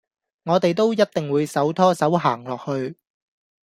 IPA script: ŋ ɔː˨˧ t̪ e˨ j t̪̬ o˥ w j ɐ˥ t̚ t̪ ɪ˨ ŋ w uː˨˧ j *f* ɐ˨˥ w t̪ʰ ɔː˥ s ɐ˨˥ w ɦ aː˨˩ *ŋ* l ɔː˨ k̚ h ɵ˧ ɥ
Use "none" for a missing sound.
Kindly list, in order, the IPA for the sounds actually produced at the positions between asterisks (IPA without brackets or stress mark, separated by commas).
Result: s, ŋ